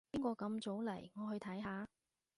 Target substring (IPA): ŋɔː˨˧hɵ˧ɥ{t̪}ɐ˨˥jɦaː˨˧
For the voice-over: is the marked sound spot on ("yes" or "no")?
no